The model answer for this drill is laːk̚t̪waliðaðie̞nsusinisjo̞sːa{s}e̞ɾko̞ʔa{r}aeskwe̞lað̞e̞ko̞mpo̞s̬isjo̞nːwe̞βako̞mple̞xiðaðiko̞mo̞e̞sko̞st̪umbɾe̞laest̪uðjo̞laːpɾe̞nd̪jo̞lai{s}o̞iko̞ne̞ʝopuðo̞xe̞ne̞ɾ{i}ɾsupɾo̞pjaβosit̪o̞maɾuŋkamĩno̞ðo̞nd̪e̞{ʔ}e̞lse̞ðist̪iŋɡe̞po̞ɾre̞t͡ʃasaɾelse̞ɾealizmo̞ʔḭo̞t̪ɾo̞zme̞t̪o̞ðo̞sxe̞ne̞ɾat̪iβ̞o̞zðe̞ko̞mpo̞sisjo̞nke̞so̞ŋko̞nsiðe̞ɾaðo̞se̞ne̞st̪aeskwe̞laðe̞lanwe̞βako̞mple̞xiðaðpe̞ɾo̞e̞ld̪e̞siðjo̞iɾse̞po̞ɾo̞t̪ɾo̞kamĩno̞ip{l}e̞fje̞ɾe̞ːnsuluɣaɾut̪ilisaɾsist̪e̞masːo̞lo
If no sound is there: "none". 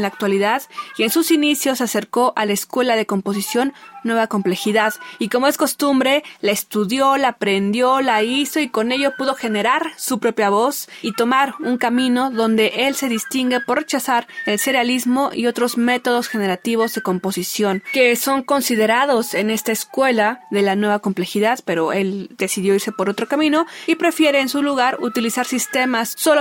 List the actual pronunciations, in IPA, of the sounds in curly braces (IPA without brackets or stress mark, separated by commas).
s, l, s, a, ʔ, ɾ